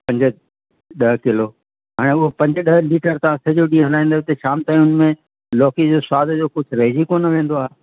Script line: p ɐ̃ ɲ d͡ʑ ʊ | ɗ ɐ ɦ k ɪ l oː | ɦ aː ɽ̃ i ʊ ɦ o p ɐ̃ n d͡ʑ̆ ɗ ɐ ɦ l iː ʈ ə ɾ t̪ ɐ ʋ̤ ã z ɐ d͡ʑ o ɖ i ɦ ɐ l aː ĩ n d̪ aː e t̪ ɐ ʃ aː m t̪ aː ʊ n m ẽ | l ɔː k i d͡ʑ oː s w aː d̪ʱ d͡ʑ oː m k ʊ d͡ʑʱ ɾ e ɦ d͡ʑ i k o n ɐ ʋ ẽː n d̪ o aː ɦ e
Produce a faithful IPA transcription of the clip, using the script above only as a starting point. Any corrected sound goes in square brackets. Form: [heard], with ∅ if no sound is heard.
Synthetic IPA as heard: p ɐ̃ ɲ d͡ʑ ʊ | ɗ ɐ ɦ k ɪ l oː | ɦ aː ɽ̃ [e] ʊ ɦ o p ɐ̃ [ɲ] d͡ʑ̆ ɗ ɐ ɦ l iː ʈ ə ɾ t̪ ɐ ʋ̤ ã [s] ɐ d͡ʑ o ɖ i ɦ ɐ l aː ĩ n d̪ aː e t̪ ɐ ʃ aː m t̪ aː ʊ n m ẽ | l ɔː k i d͡ʑ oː s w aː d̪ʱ d͡ʑ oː [∅] k ʊ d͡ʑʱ ɾ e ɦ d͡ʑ i k o n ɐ ʋ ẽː n d̪ o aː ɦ e

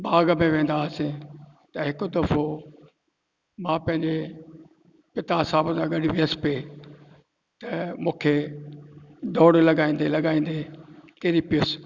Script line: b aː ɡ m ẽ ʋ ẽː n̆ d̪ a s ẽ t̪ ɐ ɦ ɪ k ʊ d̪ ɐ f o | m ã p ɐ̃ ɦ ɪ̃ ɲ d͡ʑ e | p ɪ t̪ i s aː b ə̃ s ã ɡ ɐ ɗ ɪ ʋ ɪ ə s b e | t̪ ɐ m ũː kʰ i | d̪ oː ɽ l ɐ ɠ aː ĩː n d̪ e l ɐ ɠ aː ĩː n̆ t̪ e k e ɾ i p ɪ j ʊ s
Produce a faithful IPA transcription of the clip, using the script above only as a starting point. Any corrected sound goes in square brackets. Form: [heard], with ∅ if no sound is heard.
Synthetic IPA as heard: b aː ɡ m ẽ ʋ ẽː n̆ d̪ a s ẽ t̪ ɐ ɦ ɪ k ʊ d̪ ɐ f o | m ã p ɐ̃ ɦ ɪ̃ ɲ d͡ʑ e | p ɪ t̪ [a] s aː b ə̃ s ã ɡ ɐ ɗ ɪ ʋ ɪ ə s [p] e | t̪ ɐ m ũː kʰ [e] | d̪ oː ɽ l ɐ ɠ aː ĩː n d̪ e l ɐ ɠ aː ĩː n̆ [d̪] e k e ɾ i p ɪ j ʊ s

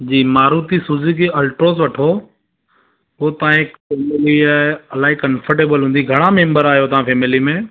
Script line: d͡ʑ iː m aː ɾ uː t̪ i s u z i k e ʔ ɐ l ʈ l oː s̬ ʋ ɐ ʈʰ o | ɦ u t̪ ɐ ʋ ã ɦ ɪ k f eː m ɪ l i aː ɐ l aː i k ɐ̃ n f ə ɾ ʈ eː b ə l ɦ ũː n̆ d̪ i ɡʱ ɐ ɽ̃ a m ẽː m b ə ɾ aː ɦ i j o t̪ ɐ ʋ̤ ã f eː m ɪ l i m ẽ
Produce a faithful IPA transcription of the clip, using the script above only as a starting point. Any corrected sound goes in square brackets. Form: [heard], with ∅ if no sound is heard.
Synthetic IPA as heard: d͡ʑ iː m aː ɾ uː t̪ i s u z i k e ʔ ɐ l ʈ [ɾ] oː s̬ ʋ ɐ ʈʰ o | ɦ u t̪ ɐ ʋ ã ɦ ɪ k f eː m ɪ l i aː ɐ l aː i k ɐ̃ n f ə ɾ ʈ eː b ə l ɦ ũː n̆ d̪ i ɡʱ ɐ ɽ̃ a m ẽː m b ə ɾ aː ɦ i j o t̪ ɐ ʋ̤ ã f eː m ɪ l i m ẽ

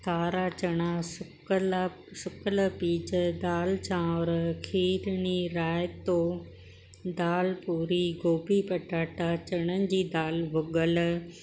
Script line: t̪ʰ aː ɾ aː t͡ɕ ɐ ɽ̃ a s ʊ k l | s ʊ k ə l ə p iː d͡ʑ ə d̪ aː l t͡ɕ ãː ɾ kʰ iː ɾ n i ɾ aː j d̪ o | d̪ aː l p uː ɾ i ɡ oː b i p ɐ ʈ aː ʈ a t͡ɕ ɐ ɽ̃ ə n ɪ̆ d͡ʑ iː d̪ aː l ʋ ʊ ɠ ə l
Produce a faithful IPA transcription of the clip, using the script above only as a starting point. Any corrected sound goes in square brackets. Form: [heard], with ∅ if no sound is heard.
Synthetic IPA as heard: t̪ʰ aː ɾ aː t͡ɕ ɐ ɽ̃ a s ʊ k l | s ʊ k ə l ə p iː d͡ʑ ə d̪ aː l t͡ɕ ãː ɾ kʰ iː ɾ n i ɾ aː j [t̪] o | d̪ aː l p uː ɾ i ɡ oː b i p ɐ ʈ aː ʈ a t͡ɕ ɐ ɽ̃ ə n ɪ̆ d͡ʑ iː d̪ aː l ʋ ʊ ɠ ə l

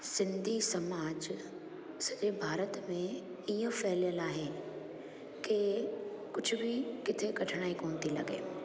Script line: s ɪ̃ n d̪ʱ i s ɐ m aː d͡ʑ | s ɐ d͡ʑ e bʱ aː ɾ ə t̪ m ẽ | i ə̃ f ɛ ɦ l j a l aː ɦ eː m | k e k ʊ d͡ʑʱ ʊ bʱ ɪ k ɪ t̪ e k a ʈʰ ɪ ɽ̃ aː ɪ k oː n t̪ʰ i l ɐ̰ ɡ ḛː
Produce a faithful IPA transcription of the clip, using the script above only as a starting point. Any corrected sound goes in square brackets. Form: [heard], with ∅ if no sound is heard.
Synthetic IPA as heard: s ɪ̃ n d̪ʱ i s ɐ m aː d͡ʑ | s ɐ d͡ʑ e bʱ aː ɾ ə t̪ m ẽ | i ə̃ f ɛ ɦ l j [ə] l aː ɦ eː [∅] | k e k ʊ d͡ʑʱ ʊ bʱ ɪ k ɪ [t̪ʰ] e k [ɐ] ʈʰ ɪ ɽ̃ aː [i] k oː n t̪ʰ i l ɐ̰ ɡ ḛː

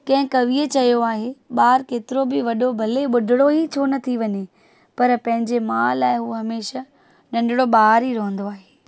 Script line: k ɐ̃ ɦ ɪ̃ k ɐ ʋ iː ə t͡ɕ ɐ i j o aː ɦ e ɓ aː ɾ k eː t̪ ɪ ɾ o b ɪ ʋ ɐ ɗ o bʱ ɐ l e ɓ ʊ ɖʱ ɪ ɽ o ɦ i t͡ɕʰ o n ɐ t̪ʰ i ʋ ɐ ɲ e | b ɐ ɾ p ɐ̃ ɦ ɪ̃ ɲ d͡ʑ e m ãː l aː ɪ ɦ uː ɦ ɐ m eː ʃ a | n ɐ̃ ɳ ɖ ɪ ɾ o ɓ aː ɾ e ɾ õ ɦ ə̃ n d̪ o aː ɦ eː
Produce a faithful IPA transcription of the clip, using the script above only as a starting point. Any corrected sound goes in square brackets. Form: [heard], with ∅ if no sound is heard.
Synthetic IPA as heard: k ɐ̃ ɦ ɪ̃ k ɐ ʋ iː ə t͡ɕ ɐ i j o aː ɦ e ɓ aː ɾ k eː t̪ ɪ ɾ o b ɪ ʋ ɐ ɗ o bʱ ɐ l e ɓ ʊ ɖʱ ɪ ɽ o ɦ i t͡ɕʰ o n ɐ t̪ʰ i ʋ ɐ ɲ e | [p] ɐ ɾ p ɐ̃ ɦ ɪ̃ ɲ d͡ʑ e m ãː l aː ɪ ɦ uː ɦ ɐ m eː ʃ a | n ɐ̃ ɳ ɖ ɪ [ɽ] o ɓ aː ɾ [i] ɾ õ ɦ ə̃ n d̪ o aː ɦ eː

